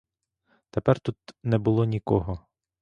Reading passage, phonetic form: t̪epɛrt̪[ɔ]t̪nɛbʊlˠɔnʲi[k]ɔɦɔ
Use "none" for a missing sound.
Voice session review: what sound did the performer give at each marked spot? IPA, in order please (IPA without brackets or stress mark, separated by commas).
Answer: u, k